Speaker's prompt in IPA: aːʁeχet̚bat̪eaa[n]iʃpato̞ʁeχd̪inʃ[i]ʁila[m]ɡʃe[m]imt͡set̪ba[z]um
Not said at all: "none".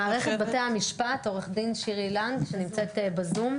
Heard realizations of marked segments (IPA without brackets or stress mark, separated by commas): m, i, n, n, z